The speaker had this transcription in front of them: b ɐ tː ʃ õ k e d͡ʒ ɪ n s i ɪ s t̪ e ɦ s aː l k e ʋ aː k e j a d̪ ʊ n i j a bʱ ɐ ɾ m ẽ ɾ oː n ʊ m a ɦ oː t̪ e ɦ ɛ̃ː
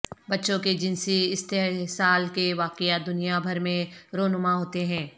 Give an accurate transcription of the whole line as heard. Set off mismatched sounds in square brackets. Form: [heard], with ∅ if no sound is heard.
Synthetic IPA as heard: b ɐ tː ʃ õ k e d͡ʒ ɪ n s i ɪ s t̪ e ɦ s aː l k e ʋ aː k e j a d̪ ʊ n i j a bʱ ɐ ɾ m ẽ ɾ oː n ʊ m a ɦ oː t̪ e ɦ ɛ̃ː